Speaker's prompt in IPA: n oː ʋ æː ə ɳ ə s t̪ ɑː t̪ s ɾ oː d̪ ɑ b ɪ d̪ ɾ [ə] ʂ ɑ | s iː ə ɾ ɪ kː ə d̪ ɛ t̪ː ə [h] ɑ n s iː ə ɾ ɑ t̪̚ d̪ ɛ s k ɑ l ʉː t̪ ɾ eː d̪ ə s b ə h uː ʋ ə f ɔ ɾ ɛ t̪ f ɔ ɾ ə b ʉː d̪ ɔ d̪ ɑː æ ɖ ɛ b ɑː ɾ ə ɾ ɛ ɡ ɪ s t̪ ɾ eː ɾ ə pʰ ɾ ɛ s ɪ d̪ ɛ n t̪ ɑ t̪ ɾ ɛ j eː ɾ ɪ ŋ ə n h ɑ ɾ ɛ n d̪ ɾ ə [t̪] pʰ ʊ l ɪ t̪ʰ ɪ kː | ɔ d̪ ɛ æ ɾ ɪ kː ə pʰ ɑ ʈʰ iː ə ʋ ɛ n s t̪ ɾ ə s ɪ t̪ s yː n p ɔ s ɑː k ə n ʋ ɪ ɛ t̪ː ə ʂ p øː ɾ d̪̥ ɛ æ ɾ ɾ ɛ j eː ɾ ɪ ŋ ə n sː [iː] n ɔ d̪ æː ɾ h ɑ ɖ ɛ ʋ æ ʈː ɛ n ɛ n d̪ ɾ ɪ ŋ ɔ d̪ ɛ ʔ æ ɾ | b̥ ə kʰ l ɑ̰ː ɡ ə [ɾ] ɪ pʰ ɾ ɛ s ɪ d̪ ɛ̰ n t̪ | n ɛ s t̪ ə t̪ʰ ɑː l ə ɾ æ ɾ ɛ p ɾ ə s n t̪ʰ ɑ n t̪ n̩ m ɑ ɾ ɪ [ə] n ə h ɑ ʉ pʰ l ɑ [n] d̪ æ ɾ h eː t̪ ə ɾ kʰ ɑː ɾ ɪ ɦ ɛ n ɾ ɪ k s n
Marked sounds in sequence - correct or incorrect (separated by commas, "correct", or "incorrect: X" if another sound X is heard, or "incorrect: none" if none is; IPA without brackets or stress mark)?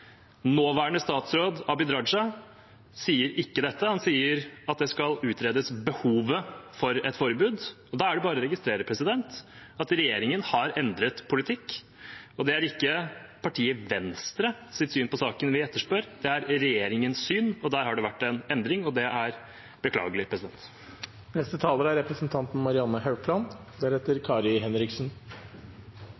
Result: incorrect: ɑ, correct, correct, incorrect: yː, incorrect: l, incorrect: ɑ, correct